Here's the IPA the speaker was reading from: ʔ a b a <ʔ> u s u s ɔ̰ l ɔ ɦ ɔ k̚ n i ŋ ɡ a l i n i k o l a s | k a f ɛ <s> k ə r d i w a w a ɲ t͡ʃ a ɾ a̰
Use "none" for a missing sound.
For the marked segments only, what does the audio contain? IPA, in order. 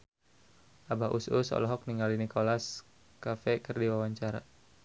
ʔ, none

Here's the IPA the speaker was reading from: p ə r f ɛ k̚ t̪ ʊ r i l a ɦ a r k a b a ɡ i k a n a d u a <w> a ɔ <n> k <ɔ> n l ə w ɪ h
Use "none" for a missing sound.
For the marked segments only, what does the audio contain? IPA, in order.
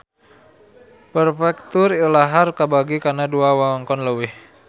w, ŋ, ɔ

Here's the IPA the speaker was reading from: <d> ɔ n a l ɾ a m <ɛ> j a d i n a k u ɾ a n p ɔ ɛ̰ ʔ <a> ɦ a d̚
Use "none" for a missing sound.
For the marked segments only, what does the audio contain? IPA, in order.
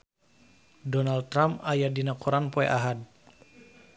d, a, a

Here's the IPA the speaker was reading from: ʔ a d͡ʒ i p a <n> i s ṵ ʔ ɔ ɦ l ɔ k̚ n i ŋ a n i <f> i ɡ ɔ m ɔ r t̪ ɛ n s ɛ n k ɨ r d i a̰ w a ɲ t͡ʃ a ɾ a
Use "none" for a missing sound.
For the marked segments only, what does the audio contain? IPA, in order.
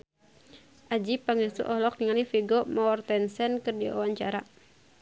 ŋ, f

